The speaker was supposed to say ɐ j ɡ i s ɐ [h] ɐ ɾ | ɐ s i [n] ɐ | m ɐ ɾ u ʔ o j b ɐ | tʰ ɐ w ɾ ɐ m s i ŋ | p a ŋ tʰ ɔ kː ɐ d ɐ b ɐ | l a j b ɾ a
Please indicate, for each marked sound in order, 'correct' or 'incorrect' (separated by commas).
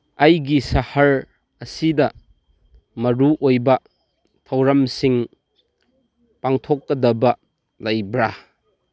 correct, incorrect